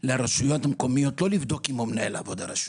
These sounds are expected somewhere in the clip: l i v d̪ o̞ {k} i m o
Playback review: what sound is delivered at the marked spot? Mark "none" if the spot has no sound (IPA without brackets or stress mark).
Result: k